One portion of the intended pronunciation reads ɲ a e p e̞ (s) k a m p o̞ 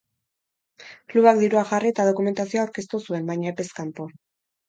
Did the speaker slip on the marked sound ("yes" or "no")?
no